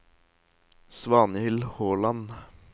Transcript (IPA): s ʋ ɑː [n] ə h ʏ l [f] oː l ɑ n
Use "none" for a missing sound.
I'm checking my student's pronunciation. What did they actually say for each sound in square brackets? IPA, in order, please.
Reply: n, h

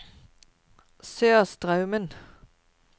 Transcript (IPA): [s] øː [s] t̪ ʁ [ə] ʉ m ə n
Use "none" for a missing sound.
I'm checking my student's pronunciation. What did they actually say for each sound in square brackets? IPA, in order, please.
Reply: s, s, ɑ

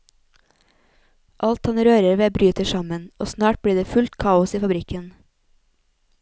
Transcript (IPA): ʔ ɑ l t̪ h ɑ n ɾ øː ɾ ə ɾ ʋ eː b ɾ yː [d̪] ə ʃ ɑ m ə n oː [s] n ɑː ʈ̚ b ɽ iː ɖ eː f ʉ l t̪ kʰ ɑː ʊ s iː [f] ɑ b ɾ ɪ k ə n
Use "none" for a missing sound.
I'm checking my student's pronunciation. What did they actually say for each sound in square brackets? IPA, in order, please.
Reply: t̪, s, f

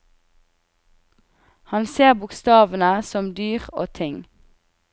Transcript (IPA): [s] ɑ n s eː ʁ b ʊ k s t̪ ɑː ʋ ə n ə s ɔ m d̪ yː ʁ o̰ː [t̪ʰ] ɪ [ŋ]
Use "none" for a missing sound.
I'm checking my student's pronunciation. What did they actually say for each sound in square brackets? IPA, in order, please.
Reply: h, t̪ʰ, ŋ

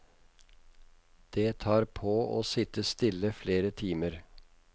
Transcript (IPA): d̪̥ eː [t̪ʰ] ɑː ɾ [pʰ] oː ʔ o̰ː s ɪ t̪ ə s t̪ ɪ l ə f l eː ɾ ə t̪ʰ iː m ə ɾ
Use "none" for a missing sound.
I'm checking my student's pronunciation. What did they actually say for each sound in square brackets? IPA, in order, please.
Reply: t̪ʰ, pʰ

